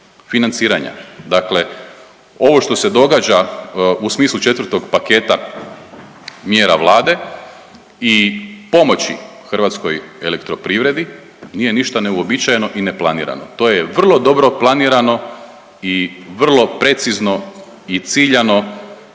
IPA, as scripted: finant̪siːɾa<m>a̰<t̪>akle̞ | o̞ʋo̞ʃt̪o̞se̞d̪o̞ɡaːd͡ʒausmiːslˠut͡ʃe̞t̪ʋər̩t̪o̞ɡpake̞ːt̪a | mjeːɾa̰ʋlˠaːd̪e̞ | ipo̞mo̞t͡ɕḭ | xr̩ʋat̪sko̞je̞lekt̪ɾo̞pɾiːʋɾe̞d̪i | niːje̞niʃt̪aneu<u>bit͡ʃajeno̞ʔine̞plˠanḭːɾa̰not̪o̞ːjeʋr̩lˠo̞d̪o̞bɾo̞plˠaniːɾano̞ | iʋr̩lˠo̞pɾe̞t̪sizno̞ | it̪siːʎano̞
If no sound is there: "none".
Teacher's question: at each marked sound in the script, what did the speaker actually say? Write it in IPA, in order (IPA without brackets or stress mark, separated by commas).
ɲ, d̪, o